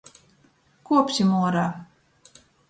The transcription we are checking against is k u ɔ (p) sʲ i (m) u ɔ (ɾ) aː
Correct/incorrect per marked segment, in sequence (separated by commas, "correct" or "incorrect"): correct, correct, correct